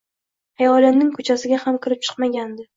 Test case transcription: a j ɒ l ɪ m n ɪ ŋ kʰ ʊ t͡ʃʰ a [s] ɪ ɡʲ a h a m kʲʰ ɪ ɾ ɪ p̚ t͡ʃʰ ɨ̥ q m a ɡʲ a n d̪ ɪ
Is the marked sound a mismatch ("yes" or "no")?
no